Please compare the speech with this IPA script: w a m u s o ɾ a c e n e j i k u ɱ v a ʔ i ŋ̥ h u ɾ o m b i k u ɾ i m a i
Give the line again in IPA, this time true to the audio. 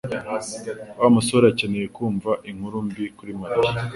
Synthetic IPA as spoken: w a m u s o ɾ a c e n e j e k uː ɱ v a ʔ i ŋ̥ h u ɾ u m b i k u ɾ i m a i